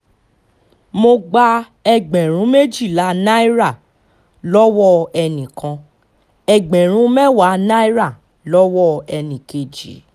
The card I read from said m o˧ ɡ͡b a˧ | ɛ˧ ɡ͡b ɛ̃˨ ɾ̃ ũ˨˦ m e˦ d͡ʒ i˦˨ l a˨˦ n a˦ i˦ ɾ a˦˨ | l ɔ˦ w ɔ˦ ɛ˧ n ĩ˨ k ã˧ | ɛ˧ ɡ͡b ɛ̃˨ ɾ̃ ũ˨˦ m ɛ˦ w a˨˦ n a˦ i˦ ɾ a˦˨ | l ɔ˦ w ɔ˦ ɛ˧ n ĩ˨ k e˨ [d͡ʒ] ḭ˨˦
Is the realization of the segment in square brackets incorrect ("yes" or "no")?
no